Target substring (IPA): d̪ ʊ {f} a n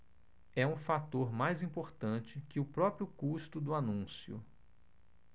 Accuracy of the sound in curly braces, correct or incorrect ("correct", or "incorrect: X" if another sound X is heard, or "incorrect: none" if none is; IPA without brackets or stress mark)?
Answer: incorrect: none